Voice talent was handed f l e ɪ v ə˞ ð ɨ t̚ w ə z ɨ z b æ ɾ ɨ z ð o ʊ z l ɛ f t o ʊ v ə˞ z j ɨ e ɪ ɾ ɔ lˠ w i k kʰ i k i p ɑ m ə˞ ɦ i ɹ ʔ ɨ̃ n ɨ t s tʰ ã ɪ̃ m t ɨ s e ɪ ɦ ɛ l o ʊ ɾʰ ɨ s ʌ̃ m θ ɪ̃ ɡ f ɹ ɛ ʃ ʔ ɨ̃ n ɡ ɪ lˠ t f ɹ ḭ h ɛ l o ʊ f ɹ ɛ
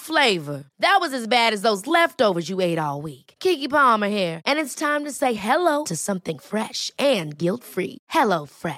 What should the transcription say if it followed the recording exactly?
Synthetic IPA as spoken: f l e ɪ v ə˞ ð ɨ t̚ w ʌ z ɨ z b æ ɾ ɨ z ð o ʊ z l ɛ f t o ʊ v ə˞ z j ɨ e ɪ ɾ ɔ lˠ w i k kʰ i k i p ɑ m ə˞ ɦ i ɹ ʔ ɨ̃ n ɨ t s tʰ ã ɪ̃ m t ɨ s e ɪ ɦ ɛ l o ʊ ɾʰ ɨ s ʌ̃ m θ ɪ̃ ŋ f ɹ ɛ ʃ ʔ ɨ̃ n ɡ ɪ lˠ t f ɹ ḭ h ɛ l o ʊ f ɹ ɛ